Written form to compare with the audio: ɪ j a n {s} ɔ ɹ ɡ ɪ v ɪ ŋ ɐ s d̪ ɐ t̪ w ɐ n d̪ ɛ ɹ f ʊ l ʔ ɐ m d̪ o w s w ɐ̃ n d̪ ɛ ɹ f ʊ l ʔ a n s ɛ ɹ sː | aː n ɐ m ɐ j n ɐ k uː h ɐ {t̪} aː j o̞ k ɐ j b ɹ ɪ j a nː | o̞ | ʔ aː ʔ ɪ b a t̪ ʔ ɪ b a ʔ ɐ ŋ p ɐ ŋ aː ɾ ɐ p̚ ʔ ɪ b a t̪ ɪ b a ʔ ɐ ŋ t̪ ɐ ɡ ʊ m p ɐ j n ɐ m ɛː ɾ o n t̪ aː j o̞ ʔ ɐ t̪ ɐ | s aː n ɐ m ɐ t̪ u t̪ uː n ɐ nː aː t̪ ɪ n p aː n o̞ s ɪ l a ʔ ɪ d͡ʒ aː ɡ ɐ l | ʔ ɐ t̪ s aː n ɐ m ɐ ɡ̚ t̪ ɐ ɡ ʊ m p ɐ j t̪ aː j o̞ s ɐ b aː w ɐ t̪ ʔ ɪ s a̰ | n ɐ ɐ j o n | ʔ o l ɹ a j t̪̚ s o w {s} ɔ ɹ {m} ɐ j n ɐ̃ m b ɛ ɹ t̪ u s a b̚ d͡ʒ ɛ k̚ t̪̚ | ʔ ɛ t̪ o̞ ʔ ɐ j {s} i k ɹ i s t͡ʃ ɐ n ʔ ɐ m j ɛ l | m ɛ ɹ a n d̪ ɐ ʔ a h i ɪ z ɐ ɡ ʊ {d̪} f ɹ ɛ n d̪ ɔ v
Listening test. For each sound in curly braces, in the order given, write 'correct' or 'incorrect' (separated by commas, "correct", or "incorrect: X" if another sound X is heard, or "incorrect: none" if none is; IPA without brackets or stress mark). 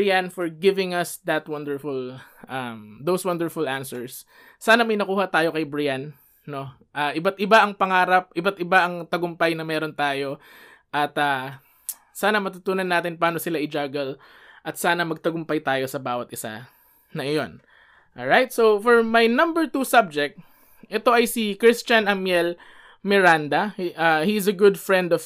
incorrect: f, correct, incorrect: f, correct, correct, correct